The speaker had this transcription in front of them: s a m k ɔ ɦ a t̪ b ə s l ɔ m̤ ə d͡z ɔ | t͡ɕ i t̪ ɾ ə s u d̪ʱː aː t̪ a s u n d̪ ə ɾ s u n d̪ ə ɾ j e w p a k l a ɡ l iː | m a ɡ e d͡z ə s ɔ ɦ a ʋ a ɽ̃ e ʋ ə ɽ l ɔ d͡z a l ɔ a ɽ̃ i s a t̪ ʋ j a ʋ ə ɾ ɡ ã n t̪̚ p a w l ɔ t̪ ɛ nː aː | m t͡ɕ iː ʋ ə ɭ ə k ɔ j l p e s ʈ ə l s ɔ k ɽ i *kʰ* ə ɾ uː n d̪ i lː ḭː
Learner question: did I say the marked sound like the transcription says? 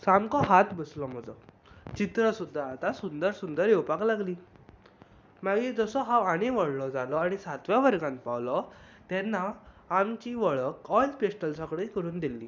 no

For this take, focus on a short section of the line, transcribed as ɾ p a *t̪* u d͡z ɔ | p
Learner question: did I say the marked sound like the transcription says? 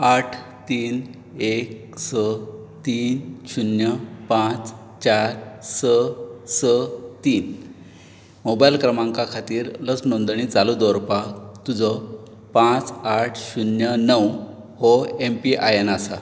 yes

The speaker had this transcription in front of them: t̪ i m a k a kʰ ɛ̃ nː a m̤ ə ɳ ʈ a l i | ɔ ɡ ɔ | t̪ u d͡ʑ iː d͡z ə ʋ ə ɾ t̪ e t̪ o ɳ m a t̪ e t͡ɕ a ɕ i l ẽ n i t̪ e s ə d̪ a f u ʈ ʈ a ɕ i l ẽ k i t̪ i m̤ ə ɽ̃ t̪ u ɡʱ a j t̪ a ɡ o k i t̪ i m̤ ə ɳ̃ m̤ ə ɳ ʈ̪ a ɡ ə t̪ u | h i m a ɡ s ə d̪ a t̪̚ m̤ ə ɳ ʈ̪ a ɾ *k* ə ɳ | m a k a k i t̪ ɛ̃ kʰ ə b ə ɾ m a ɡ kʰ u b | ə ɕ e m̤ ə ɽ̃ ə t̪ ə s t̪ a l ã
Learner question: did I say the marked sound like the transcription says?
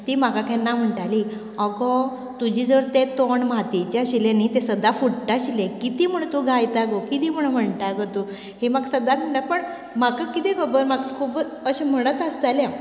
no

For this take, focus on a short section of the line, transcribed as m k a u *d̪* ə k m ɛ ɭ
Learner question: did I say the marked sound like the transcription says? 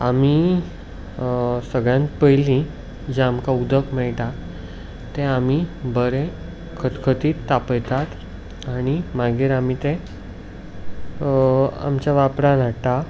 yes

